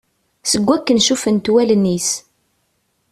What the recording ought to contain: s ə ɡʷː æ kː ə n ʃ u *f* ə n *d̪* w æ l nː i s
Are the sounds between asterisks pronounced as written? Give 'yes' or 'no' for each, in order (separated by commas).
yes, no